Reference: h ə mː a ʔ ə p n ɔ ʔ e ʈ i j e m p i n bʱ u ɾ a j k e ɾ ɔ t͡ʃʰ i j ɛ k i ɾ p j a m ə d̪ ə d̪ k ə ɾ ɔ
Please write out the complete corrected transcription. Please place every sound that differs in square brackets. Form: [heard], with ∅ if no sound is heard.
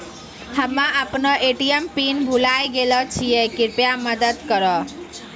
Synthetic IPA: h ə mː a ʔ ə p n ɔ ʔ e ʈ i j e m p i n bʱ u [l] a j [ɡ] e [l] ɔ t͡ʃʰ i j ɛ k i ɾ p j a m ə d̪ ə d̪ k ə ɾ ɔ